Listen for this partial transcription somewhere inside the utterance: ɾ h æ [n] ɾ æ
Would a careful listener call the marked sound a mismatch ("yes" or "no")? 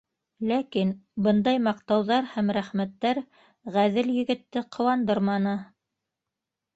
yes